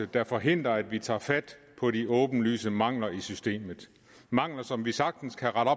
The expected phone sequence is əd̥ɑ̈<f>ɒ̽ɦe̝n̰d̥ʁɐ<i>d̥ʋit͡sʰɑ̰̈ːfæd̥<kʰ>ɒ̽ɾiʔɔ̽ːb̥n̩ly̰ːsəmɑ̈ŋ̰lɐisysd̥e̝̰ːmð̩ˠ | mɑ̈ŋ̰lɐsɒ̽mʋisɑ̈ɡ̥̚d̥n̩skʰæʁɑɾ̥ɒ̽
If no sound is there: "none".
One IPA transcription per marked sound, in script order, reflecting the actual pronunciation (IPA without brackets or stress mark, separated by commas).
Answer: f, æ, pʰ